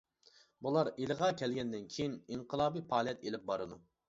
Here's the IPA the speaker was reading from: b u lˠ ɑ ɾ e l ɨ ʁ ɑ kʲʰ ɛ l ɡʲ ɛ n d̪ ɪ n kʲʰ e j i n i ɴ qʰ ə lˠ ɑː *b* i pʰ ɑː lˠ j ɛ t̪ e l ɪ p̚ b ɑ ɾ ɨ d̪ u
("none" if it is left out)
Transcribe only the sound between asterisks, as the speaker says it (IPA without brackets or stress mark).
b